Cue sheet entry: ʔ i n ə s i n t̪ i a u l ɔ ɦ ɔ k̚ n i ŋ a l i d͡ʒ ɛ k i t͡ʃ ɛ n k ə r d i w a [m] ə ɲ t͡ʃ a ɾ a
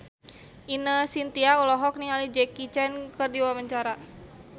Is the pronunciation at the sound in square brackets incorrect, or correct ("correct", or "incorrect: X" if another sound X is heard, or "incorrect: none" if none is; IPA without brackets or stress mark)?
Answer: correct